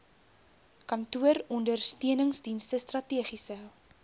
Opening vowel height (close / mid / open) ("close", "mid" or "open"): open